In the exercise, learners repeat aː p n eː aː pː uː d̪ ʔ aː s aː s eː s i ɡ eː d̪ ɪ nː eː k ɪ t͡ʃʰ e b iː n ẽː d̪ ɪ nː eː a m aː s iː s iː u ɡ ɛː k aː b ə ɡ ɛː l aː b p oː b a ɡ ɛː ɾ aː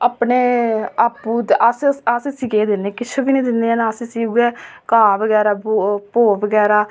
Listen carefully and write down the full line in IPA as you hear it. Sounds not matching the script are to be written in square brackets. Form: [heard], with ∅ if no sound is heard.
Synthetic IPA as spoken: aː p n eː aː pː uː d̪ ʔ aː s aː s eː s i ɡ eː d̪ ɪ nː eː k ɪ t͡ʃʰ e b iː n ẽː d̪ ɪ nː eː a [n] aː s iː s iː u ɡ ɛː k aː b ə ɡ ɛː [ɾ] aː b p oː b [ə] ɡ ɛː ɾ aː